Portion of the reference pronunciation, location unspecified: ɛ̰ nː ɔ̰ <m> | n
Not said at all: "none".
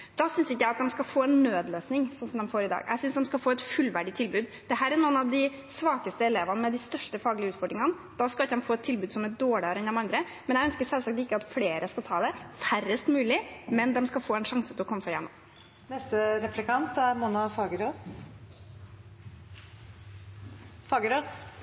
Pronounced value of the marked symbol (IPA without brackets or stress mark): m